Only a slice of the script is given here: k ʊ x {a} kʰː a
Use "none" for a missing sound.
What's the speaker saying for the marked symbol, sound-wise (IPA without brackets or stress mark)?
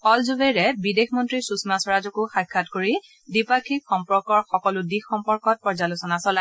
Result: a